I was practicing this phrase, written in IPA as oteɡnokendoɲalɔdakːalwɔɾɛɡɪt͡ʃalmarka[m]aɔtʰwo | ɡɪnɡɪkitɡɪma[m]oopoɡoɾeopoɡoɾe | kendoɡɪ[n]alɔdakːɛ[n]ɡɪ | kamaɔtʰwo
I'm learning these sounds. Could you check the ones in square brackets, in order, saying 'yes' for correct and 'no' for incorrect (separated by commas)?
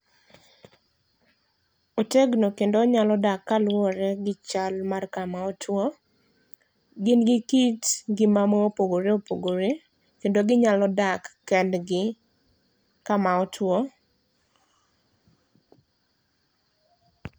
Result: yes, yes, no, no